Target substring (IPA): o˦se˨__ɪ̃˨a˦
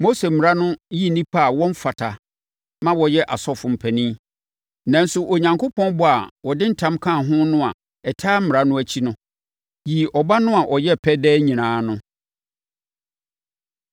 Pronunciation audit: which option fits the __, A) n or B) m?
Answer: B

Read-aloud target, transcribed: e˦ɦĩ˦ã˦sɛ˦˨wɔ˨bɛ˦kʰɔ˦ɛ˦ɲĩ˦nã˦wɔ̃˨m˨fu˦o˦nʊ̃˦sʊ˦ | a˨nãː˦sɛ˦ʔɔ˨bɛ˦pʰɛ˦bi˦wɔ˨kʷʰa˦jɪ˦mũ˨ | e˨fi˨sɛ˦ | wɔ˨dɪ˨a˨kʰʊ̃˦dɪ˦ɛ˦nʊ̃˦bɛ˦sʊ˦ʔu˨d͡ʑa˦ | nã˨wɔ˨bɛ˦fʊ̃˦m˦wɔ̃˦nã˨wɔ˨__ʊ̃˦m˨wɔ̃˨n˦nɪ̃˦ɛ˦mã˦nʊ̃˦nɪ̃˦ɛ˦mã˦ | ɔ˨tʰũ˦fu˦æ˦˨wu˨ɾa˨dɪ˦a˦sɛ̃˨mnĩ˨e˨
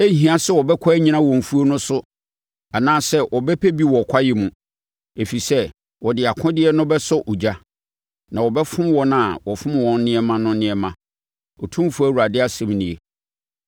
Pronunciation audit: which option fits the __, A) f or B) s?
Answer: A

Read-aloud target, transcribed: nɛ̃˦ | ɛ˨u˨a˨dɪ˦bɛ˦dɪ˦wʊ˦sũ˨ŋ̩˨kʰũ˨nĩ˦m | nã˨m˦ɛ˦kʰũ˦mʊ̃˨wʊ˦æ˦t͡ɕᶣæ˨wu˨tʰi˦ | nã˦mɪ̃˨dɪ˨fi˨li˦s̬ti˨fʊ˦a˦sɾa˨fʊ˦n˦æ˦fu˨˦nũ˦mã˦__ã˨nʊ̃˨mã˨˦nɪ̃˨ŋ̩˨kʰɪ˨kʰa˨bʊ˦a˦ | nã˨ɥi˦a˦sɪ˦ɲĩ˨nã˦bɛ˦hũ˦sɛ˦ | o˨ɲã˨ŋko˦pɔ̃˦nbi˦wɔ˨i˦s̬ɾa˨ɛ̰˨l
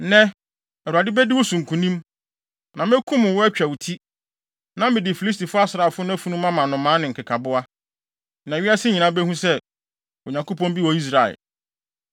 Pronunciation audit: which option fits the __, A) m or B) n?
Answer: A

